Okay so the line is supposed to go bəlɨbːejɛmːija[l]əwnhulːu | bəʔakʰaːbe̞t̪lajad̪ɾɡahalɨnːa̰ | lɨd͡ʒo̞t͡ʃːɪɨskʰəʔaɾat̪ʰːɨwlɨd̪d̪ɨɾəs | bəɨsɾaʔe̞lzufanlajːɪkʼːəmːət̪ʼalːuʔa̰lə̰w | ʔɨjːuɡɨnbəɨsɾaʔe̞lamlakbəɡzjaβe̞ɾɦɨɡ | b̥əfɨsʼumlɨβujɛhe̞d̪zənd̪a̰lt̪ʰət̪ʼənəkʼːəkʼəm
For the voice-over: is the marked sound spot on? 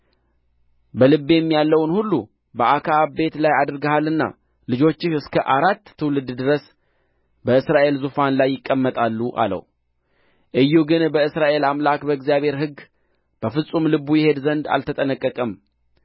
no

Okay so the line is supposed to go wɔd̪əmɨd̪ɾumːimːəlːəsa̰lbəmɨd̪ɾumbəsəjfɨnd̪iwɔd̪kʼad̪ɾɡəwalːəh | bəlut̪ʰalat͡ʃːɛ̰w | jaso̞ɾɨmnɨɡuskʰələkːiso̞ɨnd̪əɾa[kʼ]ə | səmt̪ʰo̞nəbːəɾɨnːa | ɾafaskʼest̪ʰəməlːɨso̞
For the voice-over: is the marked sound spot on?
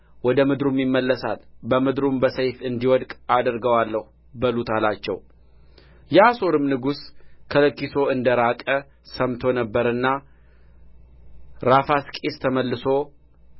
yes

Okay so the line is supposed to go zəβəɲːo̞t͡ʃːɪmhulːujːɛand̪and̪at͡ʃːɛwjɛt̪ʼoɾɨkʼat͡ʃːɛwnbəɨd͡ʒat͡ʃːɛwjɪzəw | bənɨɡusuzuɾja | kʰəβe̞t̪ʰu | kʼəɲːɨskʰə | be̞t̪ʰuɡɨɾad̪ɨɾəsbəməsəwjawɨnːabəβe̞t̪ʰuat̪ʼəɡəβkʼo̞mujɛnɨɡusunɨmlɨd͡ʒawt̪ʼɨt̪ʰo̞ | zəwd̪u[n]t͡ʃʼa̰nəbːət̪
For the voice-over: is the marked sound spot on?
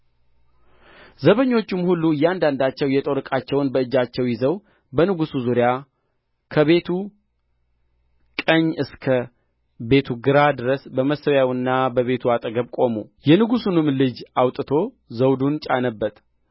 yes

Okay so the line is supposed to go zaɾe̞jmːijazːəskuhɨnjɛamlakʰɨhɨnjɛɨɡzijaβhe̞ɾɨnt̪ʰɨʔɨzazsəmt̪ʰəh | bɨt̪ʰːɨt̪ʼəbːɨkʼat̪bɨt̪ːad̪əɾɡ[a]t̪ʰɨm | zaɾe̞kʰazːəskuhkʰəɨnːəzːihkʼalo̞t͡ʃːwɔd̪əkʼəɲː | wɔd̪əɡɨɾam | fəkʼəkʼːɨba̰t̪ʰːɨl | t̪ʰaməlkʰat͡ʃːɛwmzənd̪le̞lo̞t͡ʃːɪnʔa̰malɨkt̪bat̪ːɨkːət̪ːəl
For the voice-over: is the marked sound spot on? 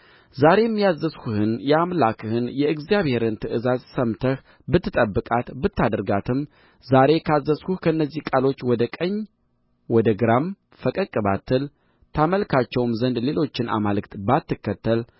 yes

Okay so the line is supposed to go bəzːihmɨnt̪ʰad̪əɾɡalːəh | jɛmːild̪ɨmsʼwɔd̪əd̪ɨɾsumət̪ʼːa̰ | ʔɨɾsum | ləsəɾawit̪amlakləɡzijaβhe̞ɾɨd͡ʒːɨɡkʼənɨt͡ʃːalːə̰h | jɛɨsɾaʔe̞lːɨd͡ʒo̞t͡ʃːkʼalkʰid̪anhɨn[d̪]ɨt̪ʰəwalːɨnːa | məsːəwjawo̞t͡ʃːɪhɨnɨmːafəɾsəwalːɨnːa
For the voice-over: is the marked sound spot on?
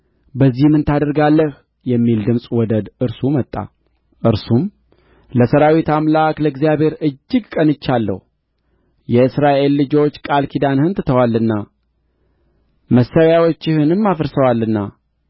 no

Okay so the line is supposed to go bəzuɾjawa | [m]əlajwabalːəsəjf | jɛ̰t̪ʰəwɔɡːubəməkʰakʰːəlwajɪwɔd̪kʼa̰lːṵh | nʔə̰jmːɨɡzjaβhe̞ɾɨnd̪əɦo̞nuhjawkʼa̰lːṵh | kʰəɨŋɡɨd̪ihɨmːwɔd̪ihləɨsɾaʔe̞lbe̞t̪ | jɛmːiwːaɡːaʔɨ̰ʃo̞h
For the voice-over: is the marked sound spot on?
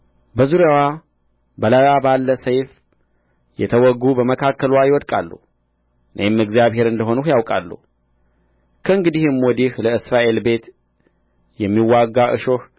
no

